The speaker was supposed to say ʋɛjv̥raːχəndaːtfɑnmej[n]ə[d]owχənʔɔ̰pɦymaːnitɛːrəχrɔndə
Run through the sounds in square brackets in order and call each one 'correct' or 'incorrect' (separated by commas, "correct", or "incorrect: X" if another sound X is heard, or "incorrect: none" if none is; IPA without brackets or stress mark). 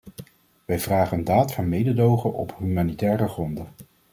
incorrect: d, correct